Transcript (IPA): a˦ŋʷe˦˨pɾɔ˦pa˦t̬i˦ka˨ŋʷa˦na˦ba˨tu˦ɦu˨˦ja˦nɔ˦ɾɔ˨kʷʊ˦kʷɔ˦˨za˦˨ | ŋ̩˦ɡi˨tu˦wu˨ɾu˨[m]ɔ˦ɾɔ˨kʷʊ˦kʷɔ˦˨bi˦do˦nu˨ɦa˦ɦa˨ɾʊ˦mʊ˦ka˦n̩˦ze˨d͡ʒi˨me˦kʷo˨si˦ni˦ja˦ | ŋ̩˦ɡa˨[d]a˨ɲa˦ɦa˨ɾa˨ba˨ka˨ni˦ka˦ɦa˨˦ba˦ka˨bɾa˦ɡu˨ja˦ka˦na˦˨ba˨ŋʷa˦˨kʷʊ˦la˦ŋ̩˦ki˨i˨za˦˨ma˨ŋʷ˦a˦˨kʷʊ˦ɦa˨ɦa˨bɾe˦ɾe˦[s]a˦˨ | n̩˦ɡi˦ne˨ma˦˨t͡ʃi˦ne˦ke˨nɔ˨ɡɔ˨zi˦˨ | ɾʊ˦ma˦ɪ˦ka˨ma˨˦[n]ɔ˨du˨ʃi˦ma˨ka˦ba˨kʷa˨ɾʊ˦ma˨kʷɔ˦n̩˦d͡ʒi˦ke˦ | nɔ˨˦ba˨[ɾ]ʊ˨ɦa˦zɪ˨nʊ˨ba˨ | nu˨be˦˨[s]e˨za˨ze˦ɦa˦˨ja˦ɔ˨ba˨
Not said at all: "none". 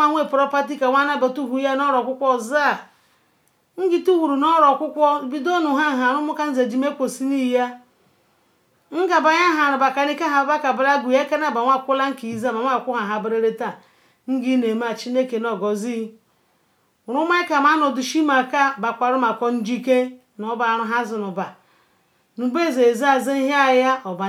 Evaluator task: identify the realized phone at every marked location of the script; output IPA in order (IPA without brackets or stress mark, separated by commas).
n, b, t, n, ɾ, z